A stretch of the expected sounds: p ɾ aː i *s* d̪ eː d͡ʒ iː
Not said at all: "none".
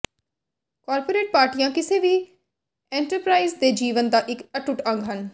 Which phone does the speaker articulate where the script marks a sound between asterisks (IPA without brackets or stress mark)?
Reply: z